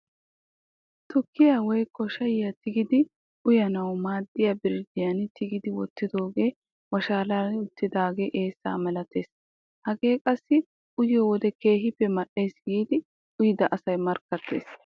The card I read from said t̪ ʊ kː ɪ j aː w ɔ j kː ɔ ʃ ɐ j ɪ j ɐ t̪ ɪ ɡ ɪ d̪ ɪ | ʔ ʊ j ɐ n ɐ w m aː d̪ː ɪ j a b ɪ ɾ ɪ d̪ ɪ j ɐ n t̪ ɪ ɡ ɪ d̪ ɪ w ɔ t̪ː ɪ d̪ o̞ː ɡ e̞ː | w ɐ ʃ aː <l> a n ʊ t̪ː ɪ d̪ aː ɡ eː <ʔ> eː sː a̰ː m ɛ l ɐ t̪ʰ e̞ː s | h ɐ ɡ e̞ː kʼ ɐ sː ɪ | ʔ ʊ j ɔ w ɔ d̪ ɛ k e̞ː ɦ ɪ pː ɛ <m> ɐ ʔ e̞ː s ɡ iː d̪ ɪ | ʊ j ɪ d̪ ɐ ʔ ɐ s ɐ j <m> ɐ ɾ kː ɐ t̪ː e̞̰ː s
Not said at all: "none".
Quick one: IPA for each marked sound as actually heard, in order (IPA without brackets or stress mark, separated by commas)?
l, ʔ, m, m